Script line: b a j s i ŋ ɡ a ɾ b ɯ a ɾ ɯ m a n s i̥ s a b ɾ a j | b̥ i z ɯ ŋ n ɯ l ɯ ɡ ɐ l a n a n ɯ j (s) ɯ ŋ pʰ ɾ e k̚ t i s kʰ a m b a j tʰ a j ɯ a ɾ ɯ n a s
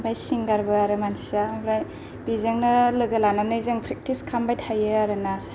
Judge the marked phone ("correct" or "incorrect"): incorrect